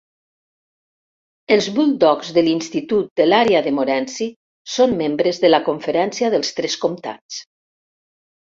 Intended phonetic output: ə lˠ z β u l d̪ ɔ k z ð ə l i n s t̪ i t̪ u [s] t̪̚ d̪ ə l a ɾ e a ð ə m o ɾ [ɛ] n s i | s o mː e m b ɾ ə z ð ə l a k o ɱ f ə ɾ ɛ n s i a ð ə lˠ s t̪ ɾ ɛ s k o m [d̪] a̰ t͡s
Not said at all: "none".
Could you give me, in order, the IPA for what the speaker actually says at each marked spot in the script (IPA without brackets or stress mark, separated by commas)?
none, ɛ, t̪